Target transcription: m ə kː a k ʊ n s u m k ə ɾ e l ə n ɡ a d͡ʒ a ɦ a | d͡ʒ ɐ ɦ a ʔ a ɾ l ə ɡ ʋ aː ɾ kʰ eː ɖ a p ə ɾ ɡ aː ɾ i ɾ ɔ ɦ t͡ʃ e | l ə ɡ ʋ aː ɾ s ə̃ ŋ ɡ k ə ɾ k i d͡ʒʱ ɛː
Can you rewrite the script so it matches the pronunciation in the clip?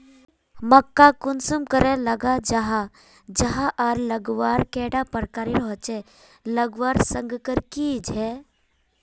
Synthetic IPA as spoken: m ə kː a k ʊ n s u m k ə ɾ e l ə ɡ a d͡ʒ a ɦ a | d͡ʒ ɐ ɦ a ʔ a ɾ l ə ɡ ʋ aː ɾ k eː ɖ a p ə ɾ k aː ɾ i ɾ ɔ ɦ t͡ʃ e | l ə ɡ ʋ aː ɾ s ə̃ ŋ ɡ k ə ɾ k i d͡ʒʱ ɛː